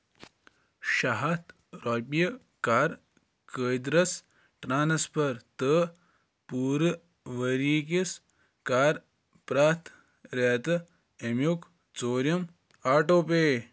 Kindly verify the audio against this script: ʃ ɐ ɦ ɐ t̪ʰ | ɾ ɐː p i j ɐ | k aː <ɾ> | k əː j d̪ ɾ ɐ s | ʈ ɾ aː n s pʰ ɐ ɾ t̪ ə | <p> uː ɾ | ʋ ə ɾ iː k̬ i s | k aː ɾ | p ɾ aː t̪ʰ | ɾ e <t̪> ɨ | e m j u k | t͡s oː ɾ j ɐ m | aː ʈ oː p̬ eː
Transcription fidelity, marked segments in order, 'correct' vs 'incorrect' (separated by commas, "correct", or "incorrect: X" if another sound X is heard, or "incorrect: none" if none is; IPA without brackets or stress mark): correct, correct, correct